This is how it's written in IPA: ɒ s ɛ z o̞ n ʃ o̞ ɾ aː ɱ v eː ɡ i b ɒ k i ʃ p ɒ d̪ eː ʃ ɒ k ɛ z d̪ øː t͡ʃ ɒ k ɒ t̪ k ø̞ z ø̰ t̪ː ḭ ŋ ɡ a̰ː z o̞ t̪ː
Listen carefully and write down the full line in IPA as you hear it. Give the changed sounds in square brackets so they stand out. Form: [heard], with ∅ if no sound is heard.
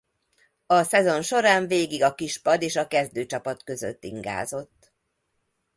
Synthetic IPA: ɒ s ɛ z o̞ n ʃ o̞ ɾ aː ɱ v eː ɡ i [ɡ] ɒ k i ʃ p ɒ d̪ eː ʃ ɒ k ɛ z d̪ øː t͡ʃ ɒ [p] ɒ t̪ k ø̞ z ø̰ t̪ː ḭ ŋ ɡ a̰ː z o̞ t̪ː